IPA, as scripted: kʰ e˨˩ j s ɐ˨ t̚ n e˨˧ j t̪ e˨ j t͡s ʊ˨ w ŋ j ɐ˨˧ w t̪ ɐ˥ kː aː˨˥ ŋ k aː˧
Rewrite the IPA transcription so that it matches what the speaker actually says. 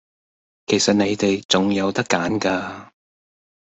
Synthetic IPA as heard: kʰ e˨˩ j s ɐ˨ t̚ n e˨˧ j t̪ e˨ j t͡s ʊ˨ ŋ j ɐ˨˧ w t̪ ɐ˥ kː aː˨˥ n k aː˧